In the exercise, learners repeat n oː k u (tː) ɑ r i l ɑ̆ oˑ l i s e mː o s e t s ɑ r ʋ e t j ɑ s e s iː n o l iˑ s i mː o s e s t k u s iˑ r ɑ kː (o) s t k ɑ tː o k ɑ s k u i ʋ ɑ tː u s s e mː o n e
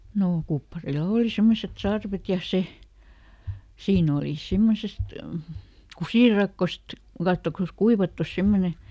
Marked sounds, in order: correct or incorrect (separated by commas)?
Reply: incorrect, correct